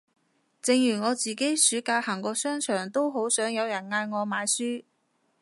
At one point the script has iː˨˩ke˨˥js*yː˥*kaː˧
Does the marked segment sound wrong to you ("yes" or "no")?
yes